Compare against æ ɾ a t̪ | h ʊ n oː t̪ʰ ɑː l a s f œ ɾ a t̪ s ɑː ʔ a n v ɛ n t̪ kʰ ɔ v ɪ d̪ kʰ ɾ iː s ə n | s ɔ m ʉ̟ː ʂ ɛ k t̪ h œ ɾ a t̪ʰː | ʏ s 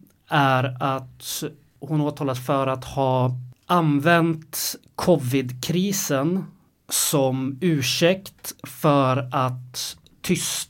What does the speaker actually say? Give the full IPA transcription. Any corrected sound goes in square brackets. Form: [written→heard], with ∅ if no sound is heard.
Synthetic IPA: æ ɾ a t̪ | h ʊ n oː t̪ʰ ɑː l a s f œ ɾ a t̪ [s→h] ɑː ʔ a n v ɛ n t̪ kʰ ɔ v ɪ d̪ kʰ ɾ iː s ə n | s ɔ m ʉ̟ː ʂ ɛ k t̪ [h→f] œ ɾ a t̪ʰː | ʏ s